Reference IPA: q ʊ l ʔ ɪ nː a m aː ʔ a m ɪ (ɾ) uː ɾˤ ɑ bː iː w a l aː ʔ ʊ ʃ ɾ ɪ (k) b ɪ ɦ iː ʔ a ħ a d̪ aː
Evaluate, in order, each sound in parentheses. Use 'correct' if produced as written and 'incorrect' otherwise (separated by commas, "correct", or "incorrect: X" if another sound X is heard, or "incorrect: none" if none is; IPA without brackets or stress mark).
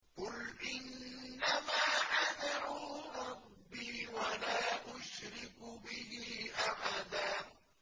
correct, correct